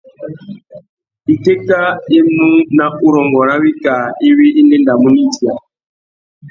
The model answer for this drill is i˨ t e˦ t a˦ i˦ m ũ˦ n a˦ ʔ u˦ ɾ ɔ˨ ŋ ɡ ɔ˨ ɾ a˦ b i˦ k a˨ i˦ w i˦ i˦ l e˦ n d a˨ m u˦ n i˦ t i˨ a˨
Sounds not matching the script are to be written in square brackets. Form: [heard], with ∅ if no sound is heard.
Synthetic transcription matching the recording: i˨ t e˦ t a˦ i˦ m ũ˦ n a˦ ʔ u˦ ɾ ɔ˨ ŋ ɡ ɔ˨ ɾ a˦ [w] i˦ k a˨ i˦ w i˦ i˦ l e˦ n d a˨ m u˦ n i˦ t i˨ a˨

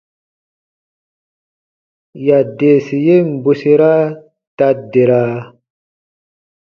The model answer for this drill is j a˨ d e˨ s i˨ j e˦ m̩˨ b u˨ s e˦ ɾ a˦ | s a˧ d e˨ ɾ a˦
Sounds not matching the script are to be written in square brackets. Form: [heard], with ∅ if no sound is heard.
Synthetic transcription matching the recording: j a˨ d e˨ s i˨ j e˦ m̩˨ b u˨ s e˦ ɾ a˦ | [t] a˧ d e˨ ɾ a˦

